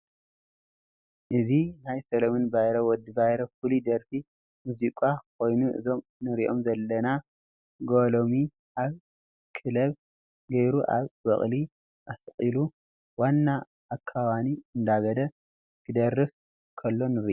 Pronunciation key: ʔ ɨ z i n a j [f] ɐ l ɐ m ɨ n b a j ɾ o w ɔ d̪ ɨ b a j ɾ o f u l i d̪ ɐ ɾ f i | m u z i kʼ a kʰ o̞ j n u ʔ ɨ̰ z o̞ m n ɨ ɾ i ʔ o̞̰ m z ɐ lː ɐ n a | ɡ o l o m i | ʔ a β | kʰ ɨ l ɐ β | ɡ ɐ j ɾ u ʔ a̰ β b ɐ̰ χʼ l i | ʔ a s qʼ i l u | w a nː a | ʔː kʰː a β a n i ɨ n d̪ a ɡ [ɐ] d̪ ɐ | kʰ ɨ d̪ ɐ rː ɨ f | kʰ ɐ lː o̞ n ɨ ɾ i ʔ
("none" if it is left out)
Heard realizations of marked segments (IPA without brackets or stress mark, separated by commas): s, ɐ